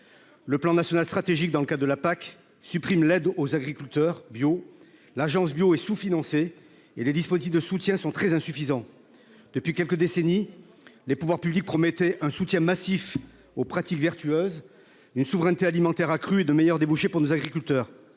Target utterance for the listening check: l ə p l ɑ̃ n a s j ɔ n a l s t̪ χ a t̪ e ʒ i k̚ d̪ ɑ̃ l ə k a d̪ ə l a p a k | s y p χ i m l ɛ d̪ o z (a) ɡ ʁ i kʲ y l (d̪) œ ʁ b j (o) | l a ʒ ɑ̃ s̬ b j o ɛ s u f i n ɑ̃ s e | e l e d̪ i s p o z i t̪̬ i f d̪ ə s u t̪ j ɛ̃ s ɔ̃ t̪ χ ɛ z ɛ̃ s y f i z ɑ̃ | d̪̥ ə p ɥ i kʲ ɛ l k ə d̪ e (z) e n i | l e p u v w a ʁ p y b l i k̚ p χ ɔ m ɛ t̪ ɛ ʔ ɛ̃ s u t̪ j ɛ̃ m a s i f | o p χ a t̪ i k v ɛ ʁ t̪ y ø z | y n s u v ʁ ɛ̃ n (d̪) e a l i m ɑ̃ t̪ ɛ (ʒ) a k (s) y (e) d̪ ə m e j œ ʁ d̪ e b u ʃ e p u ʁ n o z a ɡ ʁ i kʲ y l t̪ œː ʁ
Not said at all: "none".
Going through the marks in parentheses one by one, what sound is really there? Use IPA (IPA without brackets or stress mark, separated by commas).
a, t̪, o, s, t̪, ʁ, χ, e